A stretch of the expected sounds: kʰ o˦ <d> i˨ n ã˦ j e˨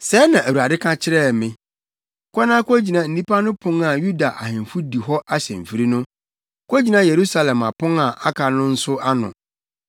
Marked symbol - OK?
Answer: no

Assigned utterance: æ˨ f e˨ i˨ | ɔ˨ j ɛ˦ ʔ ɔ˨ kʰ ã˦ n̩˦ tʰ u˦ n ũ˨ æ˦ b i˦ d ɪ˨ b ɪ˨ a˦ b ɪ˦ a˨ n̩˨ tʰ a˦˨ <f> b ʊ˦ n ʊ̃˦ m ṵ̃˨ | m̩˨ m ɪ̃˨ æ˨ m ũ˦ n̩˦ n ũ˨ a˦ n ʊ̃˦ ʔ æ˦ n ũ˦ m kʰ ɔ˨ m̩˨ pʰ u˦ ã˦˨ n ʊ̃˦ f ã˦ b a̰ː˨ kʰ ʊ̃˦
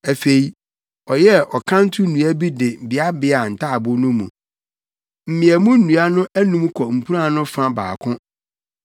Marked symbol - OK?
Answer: no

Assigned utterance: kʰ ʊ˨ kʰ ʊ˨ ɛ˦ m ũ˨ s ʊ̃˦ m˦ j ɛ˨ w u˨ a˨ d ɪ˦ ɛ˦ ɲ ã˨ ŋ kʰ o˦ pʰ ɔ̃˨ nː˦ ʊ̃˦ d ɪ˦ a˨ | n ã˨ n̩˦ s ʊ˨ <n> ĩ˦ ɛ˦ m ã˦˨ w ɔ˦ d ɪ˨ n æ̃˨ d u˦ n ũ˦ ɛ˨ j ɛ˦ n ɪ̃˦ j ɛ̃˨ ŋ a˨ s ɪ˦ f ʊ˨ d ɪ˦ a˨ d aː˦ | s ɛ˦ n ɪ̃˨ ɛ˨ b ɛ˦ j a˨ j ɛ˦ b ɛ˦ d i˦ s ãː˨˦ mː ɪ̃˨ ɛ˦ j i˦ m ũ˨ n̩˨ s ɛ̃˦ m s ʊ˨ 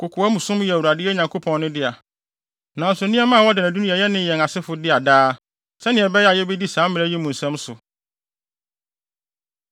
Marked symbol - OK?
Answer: yes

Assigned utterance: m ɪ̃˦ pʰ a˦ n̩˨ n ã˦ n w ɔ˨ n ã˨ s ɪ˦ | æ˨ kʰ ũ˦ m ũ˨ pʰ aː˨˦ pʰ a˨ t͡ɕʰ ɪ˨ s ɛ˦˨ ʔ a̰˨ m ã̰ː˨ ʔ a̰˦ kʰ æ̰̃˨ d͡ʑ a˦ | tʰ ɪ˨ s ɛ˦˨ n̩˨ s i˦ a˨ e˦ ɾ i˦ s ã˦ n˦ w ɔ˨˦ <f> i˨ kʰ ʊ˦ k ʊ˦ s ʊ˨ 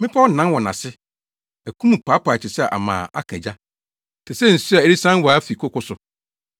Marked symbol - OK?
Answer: yes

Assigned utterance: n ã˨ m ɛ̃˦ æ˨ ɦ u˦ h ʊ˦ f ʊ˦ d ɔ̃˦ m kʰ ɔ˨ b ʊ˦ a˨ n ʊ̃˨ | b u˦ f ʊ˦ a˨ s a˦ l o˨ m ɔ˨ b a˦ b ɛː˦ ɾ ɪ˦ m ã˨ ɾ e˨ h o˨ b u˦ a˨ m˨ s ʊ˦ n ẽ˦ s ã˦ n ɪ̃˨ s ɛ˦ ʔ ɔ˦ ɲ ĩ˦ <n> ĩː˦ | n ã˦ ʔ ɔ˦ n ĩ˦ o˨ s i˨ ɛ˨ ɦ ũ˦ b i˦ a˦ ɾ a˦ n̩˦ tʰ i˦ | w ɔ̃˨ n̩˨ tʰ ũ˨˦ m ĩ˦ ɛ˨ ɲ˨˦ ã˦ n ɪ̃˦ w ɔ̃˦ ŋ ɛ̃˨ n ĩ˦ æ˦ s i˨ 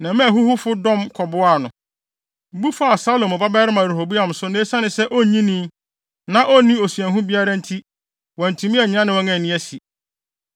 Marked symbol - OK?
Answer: yes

